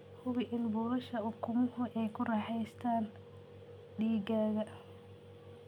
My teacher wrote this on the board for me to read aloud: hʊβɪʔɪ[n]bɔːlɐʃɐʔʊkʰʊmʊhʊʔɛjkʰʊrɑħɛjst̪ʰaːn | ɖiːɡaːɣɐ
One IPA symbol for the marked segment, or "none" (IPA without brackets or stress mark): n